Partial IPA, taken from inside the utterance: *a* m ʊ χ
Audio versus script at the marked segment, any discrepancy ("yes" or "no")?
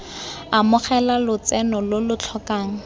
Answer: no